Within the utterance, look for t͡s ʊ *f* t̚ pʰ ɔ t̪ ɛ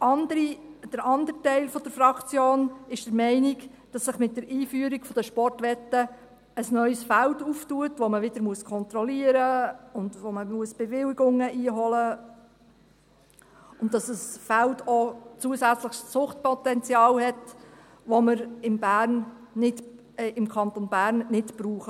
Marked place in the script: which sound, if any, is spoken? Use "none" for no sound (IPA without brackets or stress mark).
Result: χ